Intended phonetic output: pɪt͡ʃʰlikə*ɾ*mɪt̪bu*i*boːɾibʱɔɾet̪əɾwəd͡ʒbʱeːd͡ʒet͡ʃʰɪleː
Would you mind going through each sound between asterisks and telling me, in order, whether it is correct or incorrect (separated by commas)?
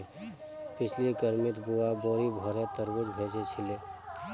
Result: correct, incorrect